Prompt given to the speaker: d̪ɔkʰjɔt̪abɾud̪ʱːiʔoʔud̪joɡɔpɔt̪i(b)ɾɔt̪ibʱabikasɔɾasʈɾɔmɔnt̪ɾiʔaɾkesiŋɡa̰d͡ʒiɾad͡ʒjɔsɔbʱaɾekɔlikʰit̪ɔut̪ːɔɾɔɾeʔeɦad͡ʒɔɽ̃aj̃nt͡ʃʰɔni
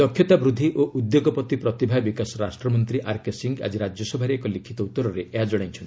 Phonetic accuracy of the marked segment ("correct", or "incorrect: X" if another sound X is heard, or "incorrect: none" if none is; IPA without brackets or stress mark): incorrect: p